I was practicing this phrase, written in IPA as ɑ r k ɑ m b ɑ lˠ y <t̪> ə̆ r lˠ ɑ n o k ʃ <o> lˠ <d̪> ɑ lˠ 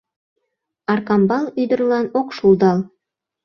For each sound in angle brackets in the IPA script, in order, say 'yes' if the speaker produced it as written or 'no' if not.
no, no, yes

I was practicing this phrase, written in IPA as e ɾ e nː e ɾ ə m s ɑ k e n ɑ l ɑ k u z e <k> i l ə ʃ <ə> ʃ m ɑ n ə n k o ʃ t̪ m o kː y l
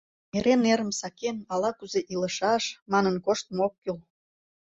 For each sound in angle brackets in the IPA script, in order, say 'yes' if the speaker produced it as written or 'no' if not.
no, no

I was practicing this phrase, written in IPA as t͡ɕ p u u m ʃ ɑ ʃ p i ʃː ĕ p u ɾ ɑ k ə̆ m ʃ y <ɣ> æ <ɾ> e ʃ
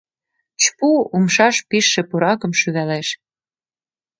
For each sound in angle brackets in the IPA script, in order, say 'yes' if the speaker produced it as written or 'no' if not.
yes, no

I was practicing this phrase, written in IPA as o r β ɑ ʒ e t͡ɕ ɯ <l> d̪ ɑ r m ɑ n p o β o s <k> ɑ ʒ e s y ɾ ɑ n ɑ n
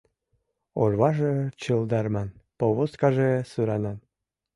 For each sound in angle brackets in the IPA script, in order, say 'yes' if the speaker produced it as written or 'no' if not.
yes, yes

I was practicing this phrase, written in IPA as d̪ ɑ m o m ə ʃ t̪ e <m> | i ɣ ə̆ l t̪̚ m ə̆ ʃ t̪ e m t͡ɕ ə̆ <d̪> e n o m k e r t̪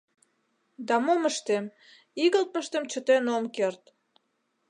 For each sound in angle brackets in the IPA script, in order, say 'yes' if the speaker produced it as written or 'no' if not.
yes, no

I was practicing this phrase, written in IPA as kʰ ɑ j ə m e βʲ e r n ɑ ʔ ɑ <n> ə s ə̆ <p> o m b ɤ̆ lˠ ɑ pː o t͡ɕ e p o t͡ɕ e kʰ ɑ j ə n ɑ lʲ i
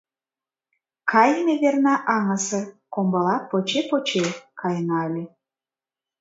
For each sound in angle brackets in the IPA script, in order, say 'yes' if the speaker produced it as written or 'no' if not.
no, no

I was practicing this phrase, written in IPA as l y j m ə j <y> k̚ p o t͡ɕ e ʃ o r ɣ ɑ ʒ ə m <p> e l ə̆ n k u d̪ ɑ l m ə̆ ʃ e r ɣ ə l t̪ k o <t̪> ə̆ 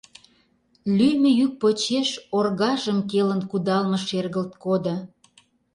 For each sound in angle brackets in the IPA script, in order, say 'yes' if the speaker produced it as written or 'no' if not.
yes, no, no

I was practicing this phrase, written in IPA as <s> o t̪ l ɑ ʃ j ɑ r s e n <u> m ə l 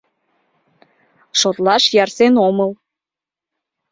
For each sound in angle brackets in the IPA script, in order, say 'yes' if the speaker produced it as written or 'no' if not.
no, no

